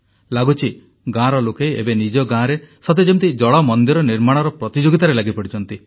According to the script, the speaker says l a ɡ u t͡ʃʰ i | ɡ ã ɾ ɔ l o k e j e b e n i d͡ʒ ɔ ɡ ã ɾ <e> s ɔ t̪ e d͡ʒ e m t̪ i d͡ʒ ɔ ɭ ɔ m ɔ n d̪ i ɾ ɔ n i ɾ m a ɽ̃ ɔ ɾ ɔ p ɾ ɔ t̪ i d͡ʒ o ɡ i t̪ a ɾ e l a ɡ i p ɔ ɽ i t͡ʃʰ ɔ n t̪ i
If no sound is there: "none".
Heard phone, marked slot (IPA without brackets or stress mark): e